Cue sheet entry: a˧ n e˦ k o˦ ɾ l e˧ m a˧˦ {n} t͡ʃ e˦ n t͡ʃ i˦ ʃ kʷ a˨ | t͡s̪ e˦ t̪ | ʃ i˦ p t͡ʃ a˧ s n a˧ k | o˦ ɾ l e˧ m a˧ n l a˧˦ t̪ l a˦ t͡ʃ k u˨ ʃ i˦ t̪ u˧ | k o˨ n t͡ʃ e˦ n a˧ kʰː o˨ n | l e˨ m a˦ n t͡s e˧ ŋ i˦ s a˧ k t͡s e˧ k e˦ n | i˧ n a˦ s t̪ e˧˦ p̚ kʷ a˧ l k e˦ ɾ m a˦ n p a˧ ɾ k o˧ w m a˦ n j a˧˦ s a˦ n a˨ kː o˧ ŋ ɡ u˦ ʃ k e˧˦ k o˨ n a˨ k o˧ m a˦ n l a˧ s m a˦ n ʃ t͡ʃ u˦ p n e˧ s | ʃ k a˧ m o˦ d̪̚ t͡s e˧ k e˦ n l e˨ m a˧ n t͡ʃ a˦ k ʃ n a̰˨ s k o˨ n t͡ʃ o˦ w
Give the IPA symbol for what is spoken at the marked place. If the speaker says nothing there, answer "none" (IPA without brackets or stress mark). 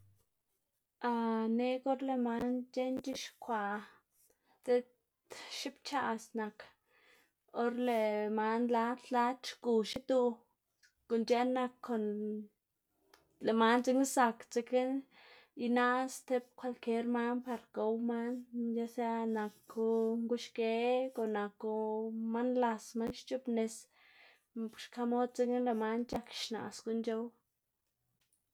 n